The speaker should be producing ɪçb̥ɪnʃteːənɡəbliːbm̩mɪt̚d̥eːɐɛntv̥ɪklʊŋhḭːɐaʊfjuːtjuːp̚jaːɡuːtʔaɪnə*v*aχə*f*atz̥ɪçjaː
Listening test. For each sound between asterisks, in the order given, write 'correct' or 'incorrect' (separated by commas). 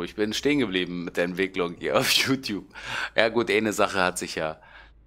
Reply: incorrect, incorrect